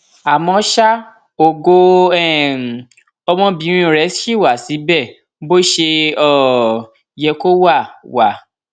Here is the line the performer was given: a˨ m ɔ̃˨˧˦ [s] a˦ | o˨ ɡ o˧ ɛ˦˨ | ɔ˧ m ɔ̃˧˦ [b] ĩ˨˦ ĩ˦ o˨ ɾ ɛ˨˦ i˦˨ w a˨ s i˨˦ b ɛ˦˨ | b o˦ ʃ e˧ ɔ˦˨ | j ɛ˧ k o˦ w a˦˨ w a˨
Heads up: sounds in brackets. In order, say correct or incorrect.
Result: incorrect: ʃ, correct

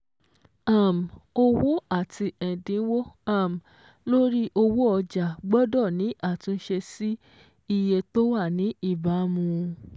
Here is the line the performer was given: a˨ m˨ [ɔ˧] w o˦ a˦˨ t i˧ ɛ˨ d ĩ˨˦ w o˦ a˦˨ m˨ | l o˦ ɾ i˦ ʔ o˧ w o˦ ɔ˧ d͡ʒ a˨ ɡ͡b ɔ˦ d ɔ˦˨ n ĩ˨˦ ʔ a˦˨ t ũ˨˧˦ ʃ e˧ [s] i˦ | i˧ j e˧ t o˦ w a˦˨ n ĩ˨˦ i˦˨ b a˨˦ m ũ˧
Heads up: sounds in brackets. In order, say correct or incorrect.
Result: incorrect: o˧, correct

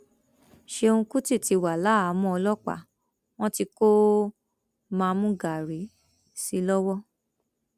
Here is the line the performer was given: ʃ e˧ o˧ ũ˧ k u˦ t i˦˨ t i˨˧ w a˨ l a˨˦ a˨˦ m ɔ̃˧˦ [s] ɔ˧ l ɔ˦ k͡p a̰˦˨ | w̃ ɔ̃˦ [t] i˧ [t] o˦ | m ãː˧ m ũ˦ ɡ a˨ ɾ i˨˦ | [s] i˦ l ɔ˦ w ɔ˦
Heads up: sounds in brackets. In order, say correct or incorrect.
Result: incorrect: none, correct, incorrect: k, correct

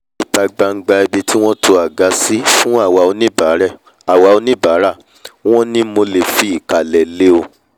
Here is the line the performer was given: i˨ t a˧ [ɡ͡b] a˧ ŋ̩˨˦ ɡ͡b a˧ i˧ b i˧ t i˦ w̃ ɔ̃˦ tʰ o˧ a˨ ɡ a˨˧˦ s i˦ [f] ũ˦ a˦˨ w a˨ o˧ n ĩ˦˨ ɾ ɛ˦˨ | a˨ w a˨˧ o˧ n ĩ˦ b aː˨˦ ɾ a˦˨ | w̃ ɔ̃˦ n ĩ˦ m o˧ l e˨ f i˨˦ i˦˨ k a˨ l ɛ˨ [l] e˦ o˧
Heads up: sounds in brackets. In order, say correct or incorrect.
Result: correct, correct, correct

